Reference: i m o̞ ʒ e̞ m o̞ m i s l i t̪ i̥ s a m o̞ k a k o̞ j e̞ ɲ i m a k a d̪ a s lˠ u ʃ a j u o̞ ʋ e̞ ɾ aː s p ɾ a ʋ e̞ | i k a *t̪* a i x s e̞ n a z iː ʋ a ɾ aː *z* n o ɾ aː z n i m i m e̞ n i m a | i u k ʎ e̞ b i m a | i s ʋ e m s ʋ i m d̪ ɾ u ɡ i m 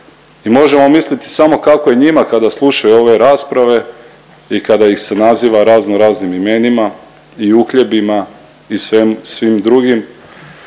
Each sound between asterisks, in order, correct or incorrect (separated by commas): incorrect, correct